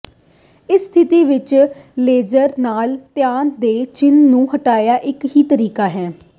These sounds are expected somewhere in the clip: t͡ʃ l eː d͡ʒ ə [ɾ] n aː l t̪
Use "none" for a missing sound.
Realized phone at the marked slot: ɾ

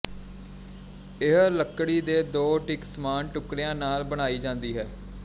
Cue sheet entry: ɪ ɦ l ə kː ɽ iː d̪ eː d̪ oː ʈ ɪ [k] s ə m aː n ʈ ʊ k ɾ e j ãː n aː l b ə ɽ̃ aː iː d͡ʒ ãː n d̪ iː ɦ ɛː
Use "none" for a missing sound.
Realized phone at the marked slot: k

